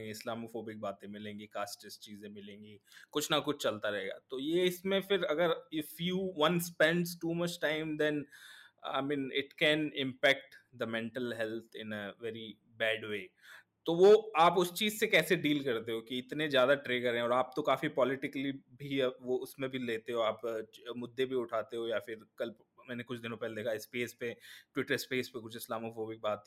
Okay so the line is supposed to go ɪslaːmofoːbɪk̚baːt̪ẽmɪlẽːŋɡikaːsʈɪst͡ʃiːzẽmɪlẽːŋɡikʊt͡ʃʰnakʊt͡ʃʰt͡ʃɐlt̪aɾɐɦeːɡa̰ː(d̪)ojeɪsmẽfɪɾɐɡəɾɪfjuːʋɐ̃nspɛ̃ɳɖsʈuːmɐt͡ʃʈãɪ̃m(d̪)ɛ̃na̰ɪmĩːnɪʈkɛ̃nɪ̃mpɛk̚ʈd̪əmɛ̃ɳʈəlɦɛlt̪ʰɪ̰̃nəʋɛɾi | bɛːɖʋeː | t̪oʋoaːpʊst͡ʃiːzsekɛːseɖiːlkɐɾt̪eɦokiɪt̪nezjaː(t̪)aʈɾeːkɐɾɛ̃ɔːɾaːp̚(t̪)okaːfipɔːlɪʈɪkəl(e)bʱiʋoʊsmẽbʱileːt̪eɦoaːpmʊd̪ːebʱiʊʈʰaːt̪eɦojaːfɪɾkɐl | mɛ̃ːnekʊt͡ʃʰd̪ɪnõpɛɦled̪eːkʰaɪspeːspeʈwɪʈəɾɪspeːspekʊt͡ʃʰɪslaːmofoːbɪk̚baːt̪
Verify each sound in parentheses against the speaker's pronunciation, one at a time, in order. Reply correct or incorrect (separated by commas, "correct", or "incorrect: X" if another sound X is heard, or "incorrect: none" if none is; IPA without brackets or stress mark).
incorrect: t̪, correct, incorrect: d̪, correct, incorrect: i